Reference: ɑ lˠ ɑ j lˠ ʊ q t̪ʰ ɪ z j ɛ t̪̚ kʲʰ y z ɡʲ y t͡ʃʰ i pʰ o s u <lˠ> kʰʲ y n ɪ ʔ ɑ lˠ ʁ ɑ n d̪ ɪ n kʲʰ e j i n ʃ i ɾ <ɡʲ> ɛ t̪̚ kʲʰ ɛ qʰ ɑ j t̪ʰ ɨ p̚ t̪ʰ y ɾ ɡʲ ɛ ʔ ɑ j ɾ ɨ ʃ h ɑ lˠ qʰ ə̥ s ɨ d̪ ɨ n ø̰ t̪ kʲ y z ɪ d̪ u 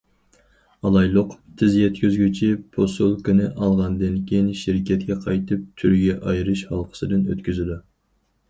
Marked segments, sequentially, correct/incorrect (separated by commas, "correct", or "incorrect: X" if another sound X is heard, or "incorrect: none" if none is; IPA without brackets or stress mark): correct, incorrect: kʲ